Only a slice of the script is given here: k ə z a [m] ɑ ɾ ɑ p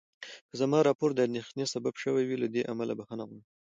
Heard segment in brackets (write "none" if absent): m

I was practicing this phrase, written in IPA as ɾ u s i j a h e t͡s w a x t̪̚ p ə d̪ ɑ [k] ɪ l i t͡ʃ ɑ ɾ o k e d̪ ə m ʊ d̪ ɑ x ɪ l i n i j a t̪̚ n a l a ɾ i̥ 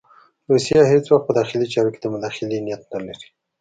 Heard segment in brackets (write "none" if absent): x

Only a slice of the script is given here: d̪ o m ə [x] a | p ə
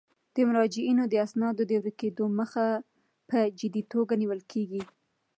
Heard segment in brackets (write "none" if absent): x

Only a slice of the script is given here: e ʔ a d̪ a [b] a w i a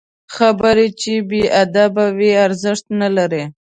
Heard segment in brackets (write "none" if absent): b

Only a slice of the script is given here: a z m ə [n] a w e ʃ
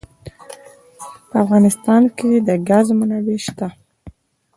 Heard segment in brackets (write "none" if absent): n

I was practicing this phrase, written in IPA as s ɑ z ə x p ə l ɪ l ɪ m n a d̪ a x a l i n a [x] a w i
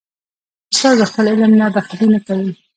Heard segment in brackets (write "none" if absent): k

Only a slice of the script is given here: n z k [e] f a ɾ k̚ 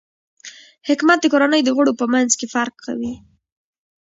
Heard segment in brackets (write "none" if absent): e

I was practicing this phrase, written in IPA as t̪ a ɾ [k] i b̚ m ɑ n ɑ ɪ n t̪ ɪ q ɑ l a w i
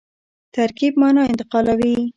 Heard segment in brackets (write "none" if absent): k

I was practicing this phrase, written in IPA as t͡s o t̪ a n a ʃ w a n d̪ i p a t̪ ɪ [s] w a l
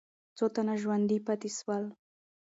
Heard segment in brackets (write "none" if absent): s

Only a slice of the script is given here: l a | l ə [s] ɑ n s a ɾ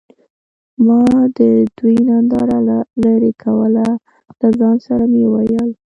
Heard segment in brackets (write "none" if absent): z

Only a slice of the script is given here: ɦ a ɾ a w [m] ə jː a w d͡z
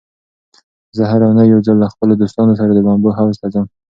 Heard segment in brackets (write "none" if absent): n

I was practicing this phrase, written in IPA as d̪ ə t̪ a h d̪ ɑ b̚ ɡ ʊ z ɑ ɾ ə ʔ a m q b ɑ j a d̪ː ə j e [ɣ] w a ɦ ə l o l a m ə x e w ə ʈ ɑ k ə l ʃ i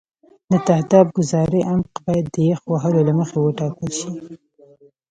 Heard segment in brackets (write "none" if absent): x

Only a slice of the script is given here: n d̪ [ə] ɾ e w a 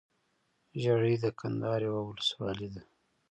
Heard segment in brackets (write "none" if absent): ɑ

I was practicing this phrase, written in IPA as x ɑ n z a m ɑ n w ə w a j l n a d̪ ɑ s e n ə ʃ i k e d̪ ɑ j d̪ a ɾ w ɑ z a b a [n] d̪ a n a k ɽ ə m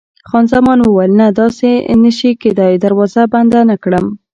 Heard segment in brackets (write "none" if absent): n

